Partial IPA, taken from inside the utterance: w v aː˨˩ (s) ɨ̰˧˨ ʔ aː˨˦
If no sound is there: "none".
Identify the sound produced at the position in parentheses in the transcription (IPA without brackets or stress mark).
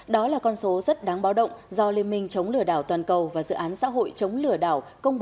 z